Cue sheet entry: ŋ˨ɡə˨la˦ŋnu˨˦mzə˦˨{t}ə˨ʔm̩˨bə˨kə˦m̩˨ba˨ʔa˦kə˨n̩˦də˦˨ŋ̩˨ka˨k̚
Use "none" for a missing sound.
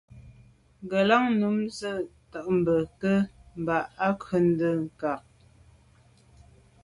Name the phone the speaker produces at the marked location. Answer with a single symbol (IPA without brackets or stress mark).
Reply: t